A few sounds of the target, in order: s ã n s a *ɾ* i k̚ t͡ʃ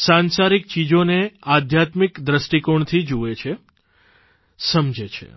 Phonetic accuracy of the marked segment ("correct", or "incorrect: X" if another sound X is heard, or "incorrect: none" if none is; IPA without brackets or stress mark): correct